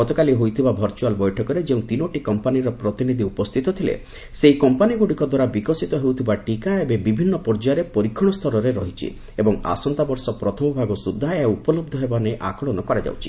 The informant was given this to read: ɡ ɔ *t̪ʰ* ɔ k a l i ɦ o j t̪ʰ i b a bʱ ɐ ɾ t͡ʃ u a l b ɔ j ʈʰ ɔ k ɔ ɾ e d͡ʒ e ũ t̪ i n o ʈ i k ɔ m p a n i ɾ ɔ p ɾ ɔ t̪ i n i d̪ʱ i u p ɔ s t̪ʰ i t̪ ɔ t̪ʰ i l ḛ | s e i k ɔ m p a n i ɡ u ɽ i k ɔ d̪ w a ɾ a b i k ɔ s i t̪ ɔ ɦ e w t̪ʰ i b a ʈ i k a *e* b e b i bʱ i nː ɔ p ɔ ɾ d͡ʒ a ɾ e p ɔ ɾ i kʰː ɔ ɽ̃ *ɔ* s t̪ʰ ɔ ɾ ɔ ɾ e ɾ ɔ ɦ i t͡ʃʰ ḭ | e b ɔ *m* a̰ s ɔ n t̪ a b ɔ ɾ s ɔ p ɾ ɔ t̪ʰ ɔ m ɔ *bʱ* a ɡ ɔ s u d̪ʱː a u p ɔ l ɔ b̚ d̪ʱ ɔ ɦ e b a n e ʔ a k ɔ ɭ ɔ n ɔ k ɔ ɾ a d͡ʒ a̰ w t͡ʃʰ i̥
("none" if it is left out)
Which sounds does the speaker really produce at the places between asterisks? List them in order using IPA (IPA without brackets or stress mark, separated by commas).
t̪, e, ɔ, ŋ, bʱ